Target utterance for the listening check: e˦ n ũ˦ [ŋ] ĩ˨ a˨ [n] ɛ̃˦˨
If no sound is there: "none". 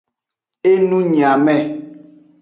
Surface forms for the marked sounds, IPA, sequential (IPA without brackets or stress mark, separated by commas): ɲ, m